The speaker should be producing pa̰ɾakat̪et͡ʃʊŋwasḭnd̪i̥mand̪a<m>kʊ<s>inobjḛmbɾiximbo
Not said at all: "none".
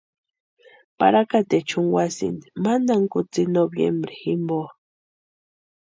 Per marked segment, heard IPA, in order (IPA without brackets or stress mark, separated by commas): ŋ, t͡s